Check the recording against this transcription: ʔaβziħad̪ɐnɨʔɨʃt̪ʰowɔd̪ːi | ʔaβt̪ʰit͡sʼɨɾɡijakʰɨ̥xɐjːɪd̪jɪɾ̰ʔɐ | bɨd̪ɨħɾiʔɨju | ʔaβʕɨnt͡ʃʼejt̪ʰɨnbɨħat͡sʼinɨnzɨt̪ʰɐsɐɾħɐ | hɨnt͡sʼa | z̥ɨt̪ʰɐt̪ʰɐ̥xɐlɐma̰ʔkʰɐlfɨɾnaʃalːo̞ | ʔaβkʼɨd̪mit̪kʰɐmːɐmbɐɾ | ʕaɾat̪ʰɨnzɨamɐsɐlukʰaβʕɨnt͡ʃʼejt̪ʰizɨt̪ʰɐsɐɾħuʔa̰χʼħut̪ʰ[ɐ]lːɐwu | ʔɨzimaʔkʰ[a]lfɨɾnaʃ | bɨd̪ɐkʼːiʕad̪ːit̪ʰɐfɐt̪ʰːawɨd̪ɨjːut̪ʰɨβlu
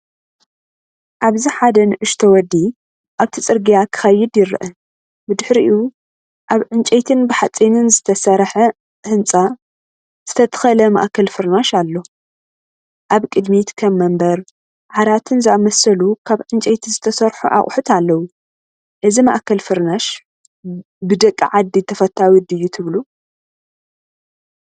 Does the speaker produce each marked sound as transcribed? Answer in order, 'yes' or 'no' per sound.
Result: no, no

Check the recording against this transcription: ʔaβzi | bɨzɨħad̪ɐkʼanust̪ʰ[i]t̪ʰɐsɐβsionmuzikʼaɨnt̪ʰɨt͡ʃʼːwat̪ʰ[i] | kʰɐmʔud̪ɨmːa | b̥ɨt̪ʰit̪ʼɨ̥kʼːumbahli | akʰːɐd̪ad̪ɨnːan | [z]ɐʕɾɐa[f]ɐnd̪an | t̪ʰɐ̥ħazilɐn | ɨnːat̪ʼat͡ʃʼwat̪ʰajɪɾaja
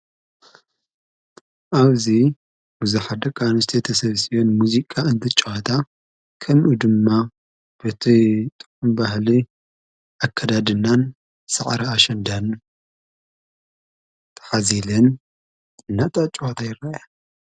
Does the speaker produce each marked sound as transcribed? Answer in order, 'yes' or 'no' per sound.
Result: no, no, no, no

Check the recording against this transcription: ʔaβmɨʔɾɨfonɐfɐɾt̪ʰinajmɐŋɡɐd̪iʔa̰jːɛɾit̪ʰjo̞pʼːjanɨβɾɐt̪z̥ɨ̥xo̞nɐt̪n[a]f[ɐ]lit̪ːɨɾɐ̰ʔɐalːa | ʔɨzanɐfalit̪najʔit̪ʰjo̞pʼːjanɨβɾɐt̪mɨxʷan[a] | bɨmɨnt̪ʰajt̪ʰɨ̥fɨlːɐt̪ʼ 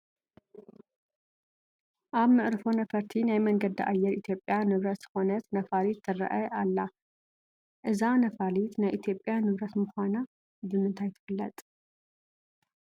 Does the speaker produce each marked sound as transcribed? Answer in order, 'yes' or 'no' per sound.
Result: no, no, yes

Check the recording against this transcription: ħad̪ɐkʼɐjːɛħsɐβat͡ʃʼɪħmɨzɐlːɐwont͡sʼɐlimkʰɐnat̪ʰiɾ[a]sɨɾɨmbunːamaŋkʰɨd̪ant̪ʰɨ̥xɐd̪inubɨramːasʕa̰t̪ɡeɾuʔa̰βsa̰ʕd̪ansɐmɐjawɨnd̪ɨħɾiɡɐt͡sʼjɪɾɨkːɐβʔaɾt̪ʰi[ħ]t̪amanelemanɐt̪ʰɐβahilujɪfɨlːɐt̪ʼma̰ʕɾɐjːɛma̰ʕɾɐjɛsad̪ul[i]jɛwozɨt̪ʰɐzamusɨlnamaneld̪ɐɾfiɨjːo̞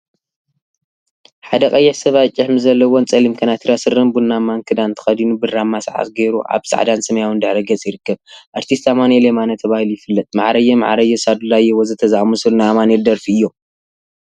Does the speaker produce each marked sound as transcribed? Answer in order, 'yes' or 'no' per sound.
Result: yes, no, no

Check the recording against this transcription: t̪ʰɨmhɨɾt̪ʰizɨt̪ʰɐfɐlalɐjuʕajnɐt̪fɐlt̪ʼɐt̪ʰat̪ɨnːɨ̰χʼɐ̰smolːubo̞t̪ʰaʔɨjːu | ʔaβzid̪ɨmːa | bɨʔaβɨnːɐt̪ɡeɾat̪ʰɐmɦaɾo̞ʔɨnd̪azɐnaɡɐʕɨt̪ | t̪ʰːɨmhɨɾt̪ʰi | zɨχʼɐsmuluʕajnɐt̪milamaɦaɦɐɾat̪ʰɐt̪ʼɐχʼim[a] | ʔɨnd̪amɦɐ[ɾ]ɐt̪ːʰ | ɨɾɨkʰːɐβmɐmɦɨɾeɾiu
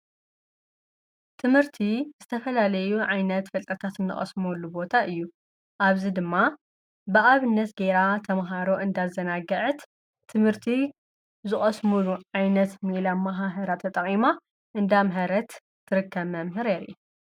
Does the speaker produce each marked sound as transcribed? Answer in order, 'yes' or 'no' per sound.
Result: yes, yes

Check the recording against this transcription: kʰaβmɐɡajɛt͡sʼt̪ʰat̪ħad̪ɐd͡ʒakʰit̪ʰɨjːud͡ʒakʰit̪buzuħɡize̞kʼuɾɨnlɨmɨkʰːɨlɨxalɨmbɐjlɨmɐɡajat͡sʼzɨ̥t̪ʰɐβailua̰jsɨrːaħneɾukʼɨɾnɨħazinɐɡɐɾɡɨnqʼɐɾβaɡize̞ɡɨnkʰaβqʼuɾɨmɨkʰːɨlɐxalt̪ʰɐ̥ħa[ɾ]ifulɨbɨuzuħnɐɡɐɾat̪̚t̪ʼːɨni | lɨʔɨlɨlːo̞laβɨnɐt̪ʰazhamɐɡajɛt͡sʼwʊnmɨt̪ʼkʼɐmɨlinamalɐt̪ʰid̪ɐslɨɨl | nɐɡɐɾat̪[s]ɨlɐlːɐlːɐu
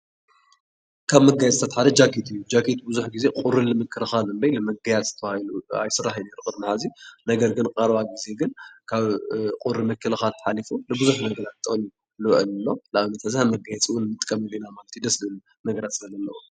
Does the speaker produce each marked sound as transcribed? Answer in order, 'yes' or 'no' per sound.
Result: no, yes

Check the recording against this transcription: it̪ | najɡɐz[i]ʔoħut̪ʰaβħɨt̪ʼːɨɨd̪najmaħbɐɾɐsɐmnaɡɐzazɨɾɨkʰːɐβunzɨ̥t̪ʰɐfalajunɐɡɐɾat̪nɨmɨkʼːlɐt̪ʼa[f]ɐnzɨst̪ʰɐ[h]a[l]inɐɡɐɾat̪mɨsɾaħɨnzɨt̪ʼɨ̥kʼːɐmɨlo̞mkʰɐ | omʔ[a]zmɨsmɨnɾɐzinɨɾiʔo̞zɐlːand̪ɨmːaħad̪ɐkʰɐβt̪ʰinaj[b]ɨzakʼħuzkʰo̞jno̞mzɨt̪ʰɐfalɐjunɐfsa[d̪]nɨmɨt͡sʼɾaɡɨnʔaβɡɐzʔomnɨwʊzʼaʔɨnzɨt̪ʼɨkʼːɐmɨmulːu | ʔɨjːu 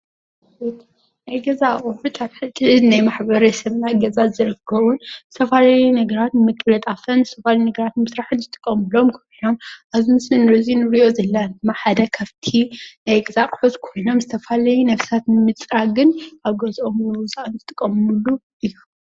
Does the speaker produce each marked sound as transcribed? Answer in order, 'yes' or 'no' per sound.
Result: no, yes, no, yes, yes, no, no

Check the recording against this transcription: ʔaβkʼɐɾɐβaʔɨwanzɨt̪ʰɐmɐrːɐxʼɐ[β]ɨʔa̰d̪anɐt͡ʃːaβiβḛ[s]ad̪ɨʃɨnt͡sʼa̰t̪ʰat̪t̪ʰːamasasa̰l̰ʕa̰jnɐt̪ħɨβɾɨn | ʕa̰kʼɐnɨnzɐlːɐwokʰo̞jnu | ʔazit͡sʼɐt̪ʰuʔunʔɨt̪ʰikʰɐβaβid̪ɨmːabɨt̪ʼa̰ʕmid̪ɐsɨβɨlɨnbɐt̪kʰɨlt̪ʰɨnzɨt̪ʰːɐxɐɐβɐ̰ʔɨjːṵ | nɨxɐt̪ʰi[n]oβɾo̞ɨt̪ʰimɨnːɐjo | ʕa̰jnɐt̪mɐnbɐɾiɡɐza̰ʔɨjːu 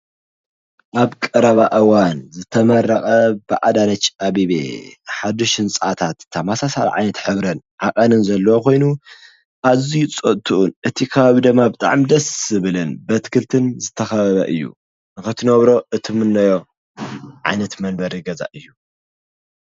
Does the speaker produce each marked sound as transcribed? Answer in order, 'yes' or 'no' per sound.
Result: no, no, yes

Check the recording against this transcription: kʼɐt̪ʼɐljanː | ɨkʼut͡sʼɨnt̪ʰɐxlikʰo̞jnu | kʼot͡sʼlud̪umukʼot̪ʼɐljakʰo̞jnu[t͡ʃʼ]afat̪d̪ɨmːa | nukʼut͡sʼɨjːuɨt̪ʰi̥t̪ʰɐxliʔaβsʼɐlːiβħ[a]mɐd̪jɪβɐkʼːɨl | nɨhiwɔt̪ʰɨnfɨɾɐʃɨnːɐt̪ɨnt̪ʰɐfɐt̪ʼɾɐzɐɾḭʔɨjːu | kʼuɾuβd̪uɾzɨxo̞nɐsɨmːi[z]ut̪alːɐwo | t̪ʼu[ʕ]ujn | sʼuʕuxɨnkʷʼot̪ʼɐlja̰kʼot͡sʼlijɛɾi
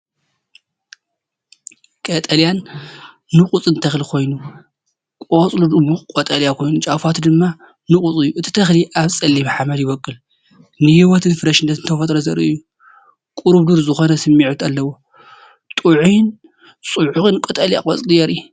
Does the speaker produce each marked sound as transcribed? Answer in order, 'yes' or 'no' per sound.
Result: yes, yes, no, yes

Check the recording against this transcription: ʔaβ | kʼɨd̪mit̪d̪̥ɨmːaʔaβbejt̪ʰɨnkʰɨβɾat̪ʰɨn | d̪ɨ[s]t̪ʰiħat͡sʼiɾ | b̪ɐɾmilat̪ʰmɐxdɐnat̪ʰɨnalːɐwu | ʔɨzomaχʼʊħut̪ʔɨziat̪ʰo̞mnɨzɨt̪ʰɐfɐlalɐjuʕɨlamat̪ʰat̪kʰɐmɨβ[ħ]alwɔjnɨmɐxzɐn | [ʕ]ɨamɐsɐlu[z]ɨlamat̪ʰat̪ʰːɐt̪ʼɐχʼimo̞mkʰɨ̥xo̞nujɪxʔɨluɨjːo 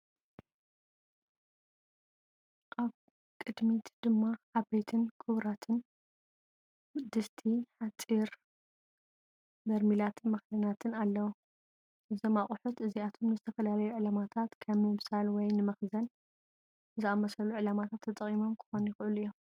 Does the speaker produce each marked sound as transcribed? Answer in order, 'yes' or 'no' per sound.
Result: yes, no, no, no

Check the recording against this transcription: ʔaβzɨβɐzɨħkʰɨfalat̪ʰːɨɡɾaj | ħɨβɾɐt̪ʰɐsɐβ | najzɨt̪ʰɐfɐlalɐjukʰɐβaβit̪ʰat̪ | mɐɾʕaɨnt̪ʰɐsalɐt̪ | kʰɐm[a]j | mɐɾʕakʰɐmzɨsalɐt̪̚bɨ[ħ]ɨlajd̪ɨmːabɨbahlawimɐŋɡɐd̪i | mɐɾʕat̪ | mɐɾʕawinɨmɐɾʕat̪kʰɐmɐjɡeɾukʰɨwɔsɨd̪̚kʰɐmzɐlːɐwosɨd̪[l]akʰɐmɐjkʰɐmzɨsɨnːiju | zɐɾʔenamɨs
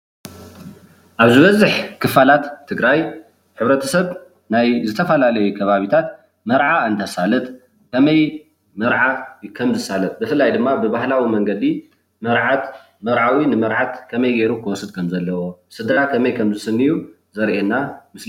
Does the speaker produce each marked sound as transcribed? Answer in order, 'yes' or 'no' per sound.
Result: no, no, no

